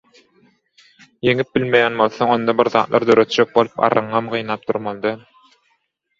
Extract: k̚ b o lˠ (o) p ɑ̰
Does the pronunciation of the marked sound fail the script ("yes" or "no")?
yes